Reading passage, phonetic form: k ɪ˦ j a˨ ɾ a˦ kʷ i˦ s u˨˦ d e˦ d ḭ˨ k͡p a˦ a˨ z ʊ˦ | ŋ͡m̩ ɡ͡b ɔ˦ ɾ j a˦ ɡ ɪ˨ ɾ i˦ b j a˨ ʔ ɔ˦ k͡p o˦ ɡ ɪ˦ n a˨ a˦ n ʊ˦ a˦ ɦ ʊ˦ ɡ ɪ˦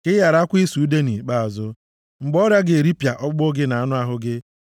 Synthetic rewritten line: k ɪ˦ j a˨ ɾ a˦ kʷ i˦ s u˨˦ d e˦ n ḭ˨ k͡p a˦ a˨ z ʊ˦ | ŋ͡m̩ ɡ͡b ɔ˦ ɾ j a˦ ɡ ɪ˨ ɾ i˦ p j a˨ ʔ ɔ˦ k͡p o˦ ɡ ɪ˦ n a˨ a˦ n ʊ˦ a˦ ɦ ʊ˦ ɡ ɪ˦